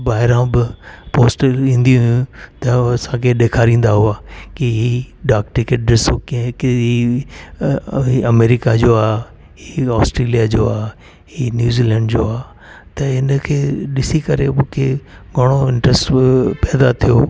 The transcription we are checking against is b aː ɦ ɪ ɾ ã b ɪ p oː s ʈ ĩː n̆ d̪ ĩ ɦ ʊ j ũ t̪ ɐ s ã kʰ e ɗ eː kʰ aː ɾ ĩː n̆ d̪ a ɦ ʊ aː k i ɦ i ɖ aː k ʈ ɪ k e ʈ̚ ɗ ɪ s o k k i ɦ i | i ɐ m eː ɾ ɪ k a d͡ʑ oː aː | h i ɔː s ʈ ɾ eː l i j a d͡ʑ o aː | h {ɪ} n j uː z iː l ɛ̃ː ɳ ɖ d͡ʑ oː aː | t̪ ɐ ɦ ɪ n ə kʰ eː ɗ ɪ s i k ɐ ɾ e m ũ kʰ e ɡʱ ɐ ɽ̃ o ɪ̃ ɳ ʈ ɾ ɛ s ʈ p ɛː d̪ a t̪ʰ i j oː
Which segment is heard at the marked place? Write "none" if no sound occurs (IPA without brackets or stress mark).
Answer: i